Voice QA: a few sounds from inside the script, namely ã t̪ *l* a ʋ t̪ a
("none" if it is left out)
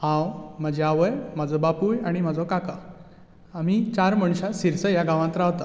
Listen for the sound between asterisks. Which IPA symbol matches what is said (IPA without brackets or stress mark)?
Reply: ɾ